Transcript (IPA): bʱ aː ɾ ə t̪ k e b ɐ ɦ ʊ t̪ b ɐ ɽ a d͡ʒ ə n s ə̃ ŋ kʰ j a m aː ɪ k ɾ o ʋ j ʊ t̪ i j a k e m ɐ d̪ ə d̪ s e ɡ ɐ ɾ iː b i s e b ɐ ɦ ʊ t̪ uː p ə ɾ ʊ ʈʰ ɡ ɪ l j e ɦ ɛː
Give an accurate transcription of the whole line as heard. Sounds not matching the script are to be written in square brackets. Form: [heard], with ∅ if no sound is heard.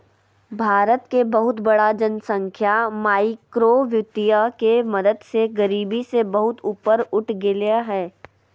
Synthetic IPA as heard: bʱ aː ɾ ə t̪ k e b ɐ ɦ ʊ t̪ b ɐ ɽ a d͡ʒ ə n s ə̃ ŋ kʰ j a m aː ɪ k ɾ o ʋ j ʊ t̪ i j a k e m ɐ d̪ ə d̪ s e ɡ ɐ ɾ iː b i s e b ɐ ɦ ʊ t̪ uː p ə ɾ ʊ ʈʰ ɡ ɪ l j [a] ɦ ɛː